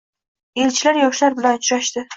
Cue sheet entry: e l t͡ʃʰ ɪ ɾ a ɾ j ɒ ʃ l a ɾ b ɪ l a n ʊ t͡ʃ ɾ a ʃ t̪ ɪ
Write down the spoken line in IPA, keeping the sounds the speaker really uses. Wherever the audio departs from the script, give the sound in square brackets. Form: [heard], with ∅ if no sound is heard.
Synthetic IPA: e l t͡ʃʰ ɪ [l] a ɾ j ɒ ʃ l a ɾ b ɪ l a n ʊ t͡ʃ ɾ a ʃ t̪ ɪ